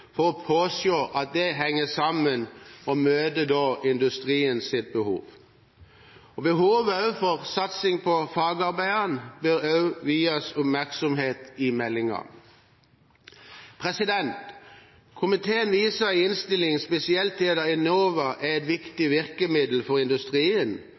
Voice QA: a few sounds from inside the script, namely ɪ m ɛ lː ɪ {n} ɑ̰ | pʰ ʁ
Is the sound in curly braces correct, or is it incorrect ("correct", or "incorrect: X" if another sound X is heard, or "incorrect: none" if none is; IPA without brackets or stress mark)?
incorrect: ŋ